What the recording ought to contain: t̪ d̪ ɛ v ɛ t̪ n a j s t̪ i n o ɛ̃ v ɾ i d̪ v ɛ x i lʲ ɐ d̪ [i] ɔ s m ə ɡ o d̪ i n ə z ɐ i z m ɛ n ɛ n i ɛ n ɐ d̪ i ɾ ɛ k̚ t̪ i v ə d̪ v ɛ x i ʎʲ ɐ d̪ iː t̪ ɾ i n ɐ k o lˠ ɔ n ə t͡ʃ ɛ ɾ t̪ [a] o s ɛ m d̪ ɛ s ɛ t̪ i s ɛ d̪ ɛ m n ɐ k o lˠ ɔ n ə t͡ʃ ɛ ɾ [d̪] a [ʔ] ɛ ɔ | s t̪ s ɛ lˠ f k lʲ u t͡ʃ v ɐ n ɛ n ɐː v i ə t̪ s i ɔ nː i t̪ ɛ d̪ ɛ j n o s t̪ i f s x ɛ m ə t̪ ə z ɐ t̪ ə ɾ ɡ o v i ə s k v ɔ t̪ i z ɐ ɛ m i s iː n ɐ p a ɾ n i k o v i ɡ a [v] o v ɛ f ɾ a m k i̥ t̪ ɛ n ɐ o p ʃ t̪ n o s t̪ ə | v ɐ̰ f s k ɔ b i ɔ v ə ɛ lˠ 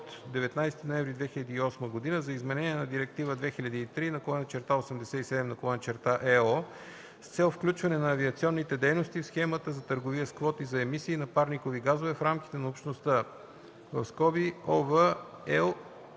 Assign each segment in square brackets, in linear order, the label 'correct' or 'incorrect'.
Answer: incorrect, correct, incorrect, correct, incorrect

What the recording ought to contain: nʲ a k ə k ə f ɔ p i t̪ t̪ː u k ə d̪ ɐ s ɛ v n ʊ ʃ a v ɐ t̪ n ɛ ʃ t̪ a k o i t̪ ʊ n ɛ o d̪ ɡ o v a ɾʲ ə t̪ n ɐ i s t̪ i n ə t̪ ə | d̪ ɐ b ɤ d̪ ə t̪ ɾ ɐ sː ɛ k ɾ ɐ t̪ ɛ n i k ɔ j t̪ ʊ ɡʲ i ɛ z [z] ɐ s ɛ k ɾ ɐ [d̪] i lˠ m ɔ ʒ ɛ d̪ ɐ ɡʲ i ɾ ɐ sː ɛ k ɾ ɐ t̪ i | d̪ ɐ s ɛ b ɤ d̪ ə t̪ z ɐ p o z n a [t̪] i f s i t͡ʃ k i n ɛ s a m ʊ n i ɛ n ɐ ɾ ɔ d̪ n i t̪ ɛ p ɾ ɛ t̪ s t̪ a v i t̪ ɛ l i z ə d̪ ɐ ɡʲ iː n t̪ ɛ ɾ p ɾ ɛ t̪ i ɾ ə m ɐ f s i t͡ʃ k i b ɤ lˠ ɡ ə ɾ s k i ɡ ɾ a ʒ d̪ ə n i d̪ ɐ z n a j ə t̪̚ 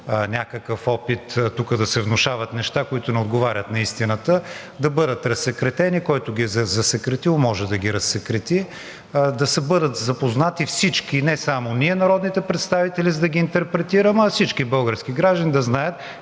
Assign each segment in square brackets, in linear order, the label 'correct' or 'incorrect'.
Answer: correct, incorrect, correct

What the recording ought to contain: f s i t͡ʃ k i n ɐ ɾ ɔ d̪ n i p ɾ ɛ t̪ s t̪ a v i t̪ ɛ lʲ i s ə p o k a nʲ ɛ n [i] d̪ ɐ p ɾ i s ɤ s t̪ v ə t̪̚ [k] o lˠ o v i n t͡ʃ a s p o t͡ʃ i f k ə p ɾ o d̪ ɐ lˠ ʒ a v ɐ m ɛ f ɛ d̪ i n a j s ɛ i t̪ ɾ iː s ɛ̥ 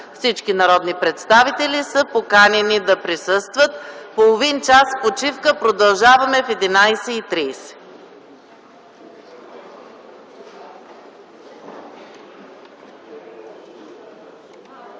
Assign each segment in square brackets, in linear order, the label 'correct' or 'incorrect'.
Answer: correct, incorrect

